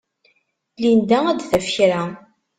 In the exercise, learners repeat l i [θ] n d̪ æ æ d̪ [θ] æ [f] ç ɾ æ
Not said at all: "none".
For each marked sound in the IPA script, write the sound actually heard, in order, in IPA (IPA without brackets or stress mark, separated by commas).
none, θ, f